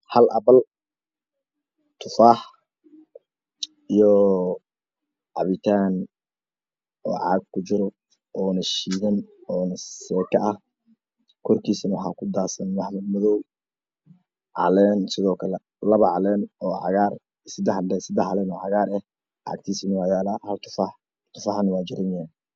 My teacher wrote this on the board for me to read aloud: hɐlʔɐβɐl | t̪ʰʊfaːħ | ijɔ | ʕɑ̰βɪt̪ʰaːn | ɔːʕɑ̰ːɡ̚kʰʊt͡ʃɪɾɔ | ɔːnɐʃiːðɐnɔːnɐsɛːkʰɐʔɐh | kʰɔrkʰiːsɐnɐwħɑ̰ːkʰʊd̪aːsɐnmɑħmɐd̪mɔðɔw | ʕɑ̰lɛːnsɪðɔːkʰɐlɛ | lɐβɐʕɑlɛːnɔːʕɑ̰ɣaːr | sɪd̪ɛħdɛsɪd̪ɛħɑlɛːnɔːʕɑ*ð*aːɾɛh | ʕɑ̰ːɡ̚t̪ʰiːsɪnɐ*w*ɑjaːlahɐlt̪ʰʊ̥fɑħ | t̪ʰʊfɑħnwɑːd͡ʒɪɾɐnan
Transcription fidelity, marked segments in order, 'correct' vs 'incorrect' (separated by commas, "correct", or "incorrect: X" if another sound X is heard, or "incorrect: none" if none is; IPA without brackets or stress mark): incorrect: ɣ, correct